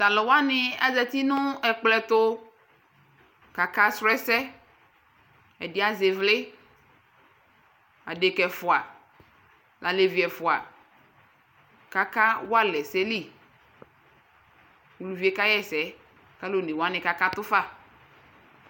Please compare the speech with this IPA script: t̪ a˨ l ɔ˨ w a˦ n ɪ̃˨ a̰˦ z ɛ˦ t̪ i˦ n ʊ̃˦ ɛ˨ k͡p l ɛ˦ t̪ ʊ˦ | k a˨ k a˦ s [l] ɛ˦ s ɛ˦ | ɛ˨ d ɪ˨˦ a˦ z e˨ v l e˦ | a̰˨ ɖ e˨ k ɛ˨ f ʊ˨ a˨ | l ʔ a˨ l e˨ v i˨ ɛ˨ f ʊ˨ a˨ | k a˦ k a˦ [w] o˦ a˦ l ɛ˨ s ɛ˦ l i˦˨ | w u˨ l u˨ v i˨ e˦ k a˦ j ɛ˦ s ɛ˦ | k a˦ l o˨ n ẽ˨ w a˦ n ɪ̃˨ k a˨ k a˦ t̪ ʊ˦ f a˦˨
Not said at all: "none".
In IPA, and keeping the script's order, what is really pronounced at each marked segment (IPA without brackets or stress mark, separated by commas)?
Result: ɾ, w